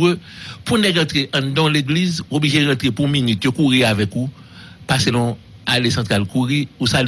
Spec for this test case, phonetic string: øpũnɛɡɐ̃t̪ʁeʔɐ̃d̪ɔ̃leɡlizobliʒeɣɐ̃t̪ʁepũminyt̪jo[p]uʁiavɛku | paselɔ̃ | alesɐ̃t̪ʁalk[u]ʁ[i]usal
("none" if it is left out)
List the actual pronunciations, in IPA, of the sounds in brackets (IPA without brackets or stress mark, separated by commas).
k, u, i